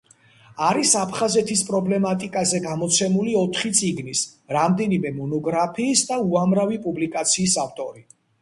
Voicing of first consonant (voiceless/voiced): voiced